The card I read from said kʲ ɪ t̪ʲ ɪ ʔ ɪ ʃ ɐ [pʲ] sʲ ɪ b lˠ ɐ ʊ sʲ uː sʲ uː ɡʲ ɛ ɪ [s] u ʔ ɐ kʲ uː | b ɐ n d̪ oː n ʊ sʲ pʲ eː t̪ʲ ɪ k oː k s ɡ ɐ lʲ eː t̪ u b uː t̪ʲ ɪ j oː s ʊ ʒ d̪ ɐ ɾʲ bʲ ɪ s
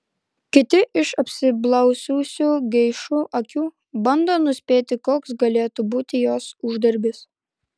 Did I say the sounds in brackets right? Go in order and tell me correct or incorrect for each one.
correct, incorrect: ʃ

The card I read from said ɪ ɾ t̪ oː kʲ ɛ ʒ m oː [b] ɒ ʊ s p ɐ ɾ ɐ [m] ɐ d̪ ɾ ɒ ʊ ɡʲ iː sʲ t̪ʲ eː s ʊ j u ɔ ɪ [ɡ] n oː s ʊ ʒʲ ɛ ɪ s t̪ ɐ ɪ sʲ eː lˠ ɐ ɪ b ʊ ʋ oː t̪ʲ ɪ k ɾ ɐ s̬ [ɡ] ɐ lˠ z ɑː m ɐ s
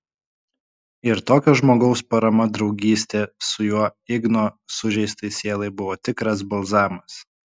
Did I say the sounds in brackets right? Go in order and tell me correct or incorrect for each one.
incorrect: ɡ, correct, correct, incorrect: b

